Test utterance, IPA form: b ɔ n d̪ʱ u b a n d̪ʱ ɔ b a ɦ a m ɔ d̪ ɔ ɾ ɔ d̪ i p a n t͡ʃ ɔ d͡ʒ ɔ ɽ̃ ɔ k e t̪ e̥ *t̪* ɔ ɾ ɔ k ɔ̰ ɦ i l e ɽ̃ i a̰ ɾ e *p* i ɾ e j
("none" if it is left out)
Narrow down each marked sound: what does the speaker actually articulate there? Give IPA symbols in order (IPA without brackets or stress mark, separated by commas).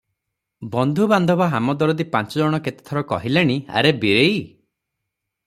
t̪ʰ, b